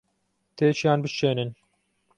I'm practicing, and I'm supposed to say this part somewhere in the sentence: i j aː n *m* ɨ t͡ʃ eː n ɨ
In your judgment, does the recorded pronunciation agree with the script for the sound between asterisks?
no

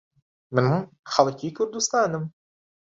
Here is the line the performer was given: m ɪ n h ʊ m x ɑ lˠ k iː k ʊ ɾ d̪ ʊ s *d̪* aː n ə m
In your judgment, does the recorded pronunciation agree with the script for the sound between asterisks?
no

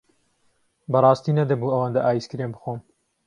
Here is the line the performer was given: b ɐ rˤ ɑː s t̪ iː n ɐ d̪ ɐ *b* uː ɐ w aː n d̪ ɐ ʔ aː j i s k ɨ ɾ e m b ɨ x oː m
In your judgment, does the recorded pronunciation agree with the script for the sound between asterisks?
yes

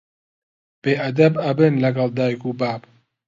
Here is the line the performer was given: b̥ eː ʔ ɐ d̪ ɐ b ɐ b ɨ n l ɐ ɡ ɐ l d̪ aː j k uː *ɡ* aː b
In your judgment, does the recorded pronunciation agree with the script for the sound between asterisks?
no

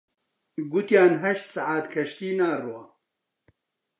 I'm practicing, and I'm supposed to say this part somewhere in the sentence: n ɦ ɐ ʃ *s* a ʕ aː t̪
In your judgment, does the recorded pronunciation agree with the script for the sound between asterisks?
yes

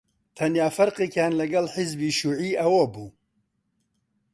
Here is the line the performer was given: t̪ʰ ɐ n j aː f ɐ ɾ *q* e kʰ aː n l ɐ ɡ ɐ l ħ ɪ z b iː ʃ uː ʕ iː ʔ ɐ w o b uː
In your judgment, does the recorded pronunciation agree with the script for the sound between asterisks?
yes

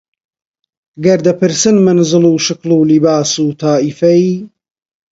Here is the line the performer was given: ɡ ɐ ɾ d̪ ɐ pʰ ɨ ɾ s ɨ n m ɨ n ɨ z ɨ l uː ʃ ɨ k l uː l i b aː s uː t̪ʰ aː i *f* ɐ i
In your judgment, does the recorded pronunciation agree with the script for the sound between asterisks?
yes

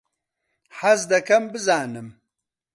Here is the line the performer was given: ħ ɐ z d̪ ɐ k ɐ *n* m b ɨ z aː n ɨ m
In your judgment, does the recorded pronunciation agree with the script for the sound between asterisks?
no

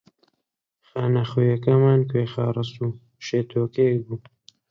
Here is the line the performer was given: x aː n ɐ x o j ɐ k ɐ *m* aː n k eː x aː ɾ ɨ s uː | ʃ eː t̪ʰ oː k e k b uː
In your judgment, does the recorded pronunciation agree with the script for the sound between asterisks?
yes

